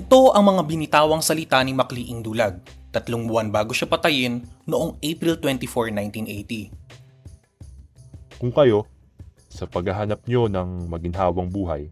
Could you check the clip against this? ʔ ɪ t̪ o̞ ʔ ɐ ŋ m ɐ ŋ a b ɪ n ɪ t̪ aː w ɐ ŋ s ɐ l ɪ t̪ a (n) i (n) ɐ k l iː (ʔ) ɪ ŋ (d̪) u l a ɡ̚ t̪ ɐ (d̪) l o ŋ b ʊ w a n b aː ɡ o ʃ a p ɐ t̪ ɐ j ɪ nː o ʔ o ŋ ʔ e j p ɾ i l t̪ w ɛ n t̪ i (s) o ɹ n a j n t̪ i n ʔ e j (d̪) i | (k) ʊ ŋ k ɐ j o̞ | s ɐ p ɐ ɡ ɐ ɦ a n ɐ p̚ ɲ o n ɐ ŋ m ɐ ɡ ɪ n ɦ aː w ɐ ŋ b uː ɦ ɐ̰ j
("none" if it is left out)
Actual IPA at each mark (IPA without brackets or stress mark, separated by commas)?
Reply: n, m, ʔ, d̪, t̪, f, t̪, k